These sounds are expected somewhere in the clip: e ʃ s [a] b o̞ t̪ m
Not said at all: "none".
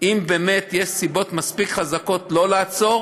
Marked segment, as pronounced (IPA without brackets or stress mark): i